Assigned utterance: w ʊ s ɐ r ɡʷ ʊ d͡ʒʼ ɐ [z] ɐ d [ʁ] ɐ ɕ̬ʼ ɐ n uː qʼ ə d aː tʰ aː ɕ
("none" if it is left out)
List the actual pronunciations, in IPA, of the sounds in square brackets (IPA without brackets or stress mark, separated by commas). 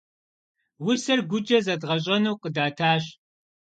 z, ʁ